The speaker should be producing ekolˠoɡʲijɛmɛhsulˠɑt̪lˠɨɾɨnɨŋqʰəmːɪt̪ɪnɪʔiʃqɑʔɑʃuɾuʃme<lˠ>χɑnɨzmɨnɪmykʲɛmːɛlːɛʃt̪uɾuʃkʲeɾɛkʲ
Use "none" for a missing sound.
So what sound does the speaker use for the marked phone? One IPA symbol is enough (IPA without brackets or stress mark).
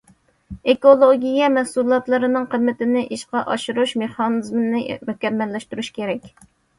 none